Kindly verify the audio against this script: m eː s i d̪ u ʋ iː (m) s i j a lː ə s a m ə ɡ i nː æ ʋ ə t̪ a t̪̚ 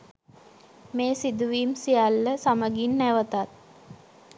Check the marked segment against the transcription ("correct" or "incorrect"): correct